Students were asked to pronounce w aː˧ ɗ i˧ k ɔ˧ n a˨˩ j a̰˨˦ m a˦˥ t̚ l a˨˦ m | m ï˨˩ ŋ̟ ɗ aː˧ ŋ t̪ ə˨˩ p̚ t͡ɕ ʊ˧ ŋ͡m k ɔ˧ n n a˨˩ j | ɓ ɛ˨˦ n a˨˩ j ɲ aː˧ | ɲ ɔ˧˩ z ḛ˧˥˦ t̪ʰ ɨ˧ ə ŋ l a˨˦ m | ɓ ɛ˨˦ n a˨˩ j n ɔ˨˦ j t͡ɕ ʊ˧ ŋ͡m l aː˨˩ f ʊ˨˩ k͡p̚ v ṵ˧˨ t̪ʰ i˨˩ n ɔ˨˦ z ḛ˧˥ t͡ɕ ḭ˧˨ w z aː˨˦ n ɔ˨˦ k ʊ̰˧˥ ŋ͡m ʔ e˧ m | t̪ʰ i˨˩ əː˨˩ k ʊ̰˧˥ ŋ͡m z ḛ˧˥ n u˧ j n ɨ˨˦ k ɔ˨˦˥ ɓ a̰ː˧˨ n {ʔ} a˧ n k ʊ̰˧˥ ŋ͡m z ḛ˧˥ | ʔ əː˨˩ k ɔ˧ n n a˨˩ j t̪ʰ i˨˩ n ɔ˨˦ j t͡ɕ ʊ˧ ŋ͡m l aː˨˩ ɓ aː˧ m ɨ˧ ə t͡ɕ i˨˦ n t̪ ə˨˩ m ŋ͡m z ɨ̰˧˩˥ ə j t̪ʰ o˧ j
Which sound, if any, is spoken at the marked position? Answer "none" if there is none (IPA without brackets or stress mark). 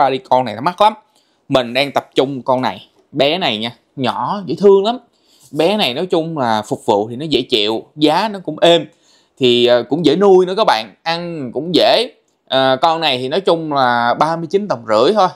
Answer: ʔ